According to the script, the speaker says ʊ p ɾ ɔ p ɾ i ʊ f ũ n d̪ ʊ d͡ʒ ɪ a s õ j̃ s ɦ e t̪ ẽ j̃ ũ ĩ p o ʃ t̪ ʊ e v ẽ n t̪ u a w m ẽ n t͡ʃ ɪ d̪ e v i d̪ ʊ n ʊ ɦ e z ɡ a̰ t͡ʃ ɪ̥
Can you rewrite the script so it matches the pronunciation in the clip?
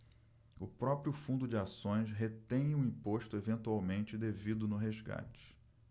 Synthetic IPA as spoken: ʊ p ɾ ɔ p ɾ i ʊ f ũ n d̪ ʊ d͡ʒ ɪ a s õ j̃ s ɦ e t̪ ẽ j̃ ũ ĩ p o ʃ t̪ ʊ e v ẽ n t̪ u a w m ẽ n t͡ʃ ɪ d̪ e v i d̪ ʊ n ʊ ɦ e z ɡ a̰ t͡ʃ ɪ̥

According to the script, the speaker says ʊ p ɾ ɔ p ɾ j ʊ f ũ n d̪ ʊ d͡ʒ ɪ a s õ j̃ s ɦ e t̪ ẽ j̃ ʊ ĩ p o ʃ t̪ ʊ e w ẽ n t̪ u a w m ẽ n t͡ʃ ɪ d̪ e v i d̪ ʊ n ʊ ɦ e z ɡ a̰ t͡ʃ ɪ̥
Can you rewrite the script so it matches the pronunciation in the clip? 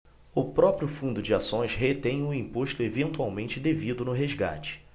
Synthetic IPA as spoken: ʊ p ɾ ɔ p ɾ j ʊ f ũ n d̪ ʊ d͡ʒ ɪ a s õ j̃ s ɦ e t̪ ẽ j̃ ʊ ĩ p o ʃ t̪ ʊ e v ẽ n t̪ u a w m ẽ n t͡ʃ ɪ d̪ e v i d̪ ʊ n ʊ ɦ e z ɡ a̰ t͡ʃ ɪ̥

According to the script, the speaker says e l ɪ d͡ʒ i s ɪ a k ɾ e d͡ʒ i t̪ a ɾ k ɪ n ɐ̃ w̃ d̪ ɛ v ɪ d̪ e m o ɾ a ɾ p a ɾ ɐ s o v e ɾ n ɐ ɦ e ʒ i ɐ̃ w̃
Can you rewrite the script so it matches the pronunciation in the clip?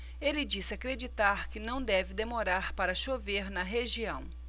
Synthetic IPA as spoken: e l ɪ d͡ʒ i s ɪ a k ɾ e d͡ʒ i t̪ a ɾ k ɪ n ɐ̃ w̃ d̪ ɛ v ɪ d̪ e m o ɾ a ɾ p a ɾ ɐ ʃ o v e ɾ n ɐ ɦ e ʒ i ɐ̃ w̃

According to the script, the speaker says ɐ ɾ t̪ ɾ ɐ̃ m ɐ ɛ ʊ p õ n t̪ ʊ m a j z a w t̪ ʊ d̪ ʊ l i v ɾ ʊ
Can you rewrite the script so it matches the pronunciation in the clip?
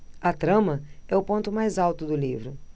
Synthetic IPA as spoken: ɐ t̪ ɾ ɐ̃ m ɐ ɛ ʊ p õ n t̪ ʊ m a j z a w t̪ ʊ d̪ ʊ l i v ɾ ʊ

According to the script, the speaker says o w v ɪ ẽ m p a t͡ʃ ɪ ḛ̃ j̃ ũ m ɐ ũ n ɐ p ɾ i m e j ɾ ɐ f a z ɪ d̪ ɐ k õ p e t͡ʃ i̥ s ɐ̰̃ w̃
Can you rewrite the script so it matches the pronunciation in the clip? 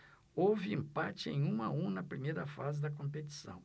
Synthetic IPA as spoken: o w v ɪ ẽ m p a t͡ʃ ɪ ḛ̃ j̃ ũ m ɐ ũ n ɐ p ɾ i m e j ɾ ɐ f a z ɪ d̪ ɐ k õ p e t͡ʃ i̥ s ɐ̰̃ w̃

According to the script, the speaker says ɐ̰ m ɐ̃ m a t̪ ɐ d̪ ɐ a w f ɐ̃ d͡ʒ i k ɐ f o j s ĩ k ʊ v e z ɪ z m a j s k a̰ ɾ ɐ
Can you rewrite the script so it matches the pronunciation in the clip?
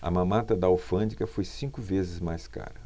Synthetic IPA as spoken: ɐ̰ m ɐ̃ m a t̪ ɐ d̪ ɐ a w f ɐ̃ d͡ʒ i k ɐ f o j s ĩ k ʊ v e z ɪ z m a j s k a̰ ɾ ɐ

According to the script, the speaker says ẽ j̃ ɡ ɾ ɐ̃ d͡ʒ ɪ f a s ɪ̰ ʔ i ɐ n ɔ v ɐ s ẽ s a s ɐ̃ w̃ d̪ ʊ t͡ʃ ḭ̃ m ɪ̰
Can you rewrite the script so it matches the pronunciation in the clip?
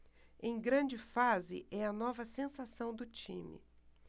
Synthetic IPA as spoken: ẽ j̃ ɡ ɾ ɐ̃ d͡ʒ ɪ f a z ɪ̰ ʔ ɛ ɐ n ɔ v ɐ s ẽ s a s ɐ̃ w̃ d̪ ʊ t͡ʃ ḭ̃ m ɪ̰

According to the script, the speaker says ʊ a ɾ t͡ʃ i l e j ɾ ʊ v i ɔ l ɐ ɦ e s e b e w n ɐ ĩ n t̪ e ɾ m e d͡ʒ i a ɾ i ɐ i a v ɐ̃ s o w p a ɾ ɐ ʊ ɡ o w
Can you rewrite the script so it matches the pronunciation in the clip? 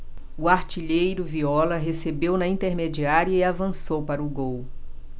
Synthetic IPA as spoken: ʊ a ɾ t͡ʃ i ʎ e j ɾ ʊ v i ɔ l ɐ ɦ e s e b e w n ɐ ĩ n t̪ e ɾ m e d͡ʒ i a ɾ i ɐ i a v ɐ̃ s o w p a ɾ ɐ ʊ ɡ o w

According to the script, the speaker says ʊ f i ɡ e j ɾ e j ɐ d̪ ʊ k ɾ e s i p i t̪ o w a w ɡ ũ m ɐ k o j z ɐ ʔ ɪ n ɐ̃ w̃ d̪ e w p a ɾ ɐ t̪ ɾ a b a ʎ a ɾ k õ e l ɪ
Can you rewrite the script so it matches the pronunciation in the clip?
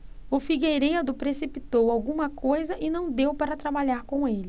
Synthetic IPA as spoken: ʊ f i ɡ e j ɾ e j ɐ d̪ ʊ p ɾ e s i p i t̪ o w a w ɡ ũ m ɐ k o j z ɐ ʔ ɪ n ɐ̃ w̃ d̪ e w p a ɾ ɐ t̪ ɾ a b a ʎ a ɾ k õ e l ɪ

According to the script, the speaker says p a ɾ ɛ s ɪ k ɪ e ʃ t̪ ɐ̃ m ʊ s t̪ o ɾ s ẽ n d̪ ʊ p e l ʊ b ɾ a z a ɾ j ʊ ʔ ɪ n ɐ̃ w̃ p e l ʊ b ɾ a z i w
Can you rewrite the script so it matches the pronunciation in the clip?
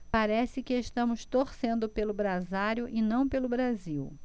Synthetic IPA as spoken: p a ɾ ɛ s ɪ k ɪ e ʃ t̪ ɐ̃ m ʊ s t̪ o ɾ s ẽ n d̪ ʊ p e l ʊ b ɾ a z a ɾ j ʊ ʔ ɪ n ɐ̃ w̃ p e l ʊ b ɾ a z i w

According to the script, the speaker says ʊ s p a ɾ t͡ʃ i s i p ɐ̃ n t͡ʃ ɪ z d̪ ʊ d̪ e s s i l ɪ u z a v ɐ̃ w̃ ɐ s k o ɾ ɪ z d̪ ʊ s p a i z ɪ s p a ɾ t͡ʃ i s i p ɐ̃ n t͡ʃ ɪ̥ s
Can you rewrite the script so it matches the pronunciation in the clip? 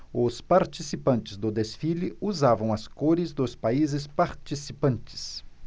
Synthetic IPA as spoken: ʊ s p a ɾ t͡ʃ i s i p ɐ̃ n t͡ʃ ɪ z d̪ ʊ d̪ e s f i l ɪ u z a v ɐ̃ w̃ ɐ s k o ɾ ɪ z d̪ ʊ s p a i z ɪ s p a ɾ t͡ʃ i s i p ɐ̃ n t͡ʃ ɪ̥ s

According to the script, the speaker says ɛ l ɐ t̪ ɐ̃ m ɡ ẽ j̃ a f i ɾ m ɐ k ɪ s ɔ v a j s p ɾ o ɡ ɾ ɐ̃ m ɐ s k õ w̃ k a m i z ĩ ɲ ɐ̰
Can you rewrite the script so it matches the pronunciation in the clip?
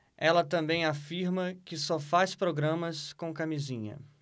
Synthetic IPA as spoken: ɛ l ɐ t̪ ɐ̃ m b ẽ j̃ a f i ɾ m ɐ k ɪ s ɔ f a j s p ɾ o ɡ ɾ ɐ̃ m ɐ s k õ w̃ k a m i z ĩ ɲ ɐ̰

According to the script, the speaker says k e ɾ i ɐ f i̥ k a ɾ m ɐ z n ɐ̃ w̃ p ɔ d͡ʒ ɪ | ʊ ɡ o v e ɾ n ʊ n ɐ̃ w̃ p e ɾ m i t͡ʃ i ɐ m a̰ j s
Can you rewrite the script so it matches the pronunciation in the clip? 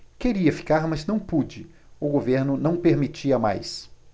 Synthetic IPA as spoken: k e ɾ i ɐ f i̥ k a ɾ m ɐ z n ɐ̃ w̃ p u d͡ʒ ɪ | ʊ ɡ o v e ɾ n ʊ n ɐ̃ w̃ p e ɾ m i t͡ʃ i ɐ m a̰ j s

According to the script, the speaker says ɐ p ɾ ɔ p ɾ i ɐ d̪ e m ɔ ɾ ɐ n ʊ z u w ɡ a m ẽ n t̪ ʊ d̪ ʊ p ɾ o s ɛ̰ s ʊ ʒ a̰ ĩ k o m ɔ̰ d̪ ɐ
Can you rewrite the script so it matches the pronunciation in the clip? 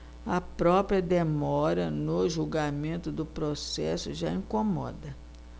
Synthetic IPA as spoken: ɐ p ɾ ɔ p ɾ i ɐ d̪ e m ɔ ɾ ɐ n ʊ ʒ u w ɡ a m ẽ n t̪ ʊ d̪ ʊ p ɾ o s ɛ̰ s ʊ ʒ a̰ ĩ k o m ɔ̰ d̪ ɐ

